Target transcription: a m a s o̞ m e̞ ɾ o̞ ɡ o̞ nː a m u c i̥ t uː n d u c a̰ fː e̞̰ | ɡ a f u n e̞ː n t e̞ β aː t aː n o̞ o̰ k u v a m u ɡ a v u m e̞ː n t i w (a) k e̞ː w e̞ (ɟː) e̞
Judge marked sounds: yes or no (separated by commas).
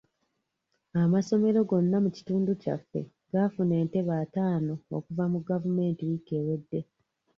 no, no